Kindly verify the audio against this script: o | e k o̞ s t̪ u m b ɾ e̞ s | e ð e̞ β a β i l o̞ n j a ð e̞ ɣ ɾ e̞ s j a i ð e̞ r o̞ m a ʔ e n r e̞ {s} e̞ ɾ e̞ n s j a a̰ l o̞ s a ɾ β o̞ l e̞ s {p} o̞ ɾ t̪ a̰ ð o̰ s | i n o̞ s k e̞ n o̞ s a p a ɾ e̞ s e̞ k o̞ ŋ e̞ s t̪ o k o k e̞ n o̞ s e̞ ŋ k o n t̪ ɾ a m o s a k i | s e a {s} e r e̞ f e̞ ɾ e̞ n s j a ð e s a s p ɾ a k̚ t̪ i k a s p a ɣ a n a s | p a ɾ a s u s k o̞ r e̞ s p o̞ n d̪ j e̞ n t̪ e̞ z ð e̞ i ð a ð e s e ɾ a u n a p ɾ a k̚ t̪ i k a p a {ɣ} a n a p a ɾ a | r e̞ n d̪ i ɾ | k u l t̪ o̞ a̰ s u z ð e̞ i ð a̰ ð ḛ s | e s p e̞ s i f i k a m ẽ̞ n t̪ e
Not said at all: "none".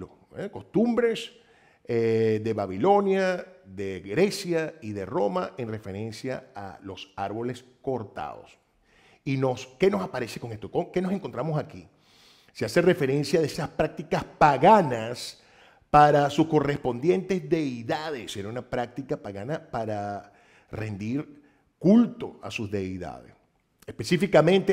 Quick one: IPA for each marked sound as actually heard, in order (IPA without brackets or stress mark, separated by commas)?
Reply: f, k, s, ɣ